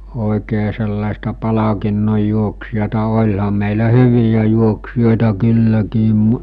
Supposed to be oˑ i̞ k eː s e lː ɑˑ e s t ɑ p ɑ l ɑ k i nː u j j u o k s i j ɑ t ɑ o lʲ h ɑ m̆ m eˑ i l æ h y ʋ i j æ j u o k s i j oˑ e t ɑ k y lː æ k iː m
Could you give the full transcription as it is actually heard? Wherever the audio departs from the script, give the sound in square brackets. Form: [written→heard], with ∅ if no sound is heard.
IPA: oˑ i̞ k eː s e lː ɑˑ e s t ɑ p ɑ l ɑ k i nː [u→o] j j u o k s i j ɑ t ɑ o lʲ h ɑ m̆ m eˑ i l æ h y ʋ i j æ j u o k s i j oˑ e t ɑ k y lː æ k iː m